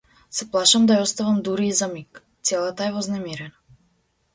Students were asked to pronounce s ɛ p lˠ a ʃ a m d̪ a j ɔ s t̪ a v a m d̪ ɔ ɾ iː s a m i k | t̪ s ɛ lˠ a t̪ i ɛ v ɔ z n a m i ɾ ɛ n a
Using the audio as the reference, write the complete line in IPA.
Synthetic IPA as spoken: s ɛ p lˠ a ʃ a m d̪ a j ɔ s t̪ a v a m d̪ u ɾ iː z a m i k | t̪ s ɛ lˠ a t̪ a ɛ v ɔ z n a m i ɾ ɛ n a